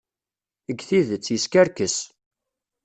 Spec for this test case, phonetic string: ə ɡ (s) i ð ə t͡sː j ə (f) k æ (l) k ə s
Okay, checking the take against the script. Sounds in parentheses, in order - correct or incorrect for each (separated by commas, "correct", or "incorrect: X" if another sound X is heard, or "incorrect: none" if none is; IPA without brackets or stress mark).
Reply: incorrect: θ, incorrect: s, incorrect: ɾ